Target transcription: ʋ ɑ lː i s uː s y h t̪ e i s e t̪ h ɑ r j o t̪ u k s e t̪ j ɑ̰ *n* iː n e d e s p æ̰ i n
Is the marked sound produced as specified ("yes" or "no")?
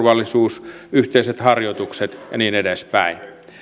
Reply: yes